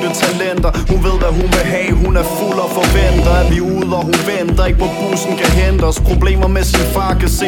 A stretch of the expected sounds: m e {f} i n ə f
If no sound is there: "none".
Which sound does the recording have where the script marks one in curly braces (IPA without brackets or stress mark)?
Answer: s